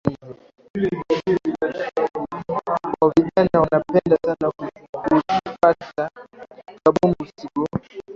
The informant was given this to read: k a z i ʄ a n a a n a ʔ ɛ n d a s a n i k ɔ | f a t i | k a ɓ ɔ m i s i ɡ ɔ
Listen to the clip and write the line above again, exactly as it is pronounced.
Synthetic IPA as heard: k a v i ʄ a n a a n a p ɛ n d a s a n a k u | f a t a | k a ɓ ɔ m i s i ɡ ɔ